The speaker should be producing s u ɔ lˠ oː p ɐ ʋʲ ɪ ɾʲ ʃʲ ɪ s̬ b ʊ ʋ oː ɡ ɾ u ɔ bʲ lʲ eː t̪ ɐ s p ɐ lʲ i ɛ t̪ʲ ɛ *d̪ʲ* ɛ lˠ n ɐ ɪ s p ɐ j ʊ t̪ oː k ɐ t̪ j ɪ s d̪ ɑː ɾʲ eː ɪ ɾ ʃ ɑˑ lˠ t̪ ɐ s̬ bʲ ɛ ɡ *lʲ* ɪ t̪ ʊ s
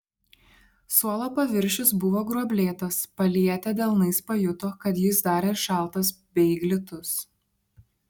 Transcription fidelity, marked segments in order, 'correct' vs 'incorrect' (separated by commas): correct, correct